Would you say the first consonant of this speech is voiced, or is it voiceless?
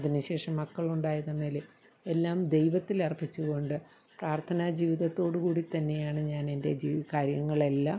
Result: voiced